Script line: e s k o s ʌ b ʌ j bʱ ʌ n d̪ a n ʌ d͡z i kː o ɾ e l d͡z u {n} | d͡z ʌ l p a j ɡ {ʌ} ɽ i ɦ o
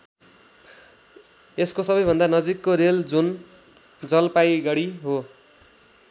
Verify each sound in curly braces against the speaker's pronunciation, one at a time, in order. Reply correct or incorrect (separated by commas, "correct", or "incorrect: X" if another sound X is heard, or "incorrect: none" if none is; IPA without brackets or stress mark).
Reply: correct, correct